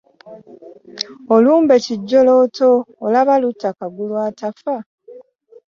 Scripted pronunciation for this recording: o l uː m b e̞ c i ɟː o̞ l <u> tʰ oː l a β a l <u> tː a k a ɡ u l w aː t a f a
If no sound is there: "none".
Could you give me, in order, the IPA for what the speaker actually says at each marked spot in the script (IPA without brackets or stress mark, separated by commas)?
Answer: o, u